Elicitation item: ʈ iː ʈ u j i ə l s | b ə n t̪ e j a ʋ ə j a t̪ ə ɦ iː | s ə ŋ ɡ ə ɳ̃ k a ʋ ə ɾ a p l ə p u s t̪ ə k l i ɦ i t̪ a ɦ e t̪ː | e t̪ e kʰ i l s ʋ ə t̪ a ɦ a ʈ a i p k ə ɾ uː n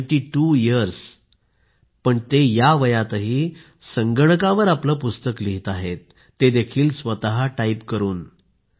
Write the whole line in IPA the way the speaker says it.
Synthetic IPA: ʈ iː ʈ u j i ə ɾ s | p ə ɳ t̪ e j a ʋ ə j a t̪ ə ɦ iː | s ə ŋ ɡ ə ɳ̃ k a ʋ ə ɾ a p l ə p u s t̪ ə k l i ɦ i t̪ a ɦ e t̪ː | e d̪ e kʰ iː l s ʋ ə t̪ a ɦ a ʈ a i p k ə ɾ uː n